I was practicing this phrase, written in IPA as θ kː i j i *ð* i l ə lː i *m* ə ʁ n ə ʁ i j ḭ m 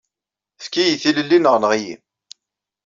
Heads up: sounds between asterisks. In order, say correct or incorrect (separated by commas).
incorrect, incorrect